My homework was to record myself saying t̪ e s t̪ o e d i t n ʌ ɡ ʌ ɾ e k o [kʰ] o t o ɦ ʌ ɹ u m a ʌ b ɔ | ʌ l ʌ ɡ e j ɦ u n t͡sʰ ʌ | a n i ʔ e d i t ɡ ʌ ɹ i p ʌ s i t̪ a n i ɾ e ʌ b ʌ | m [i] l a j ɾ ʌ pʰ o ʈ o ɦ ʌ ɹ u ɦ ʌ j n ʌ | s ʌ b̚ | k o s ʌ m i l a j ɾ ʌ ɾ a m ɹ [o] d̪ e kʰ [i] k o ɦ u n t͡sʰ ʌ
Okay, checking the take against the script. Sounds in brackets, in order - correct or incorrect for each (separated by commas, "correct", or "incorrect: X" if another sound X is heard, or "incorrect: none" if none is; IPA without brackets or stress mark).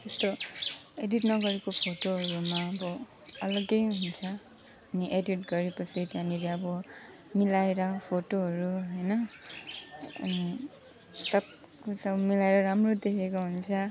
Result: incorrect: pʰ, correct, correct, incorrect: e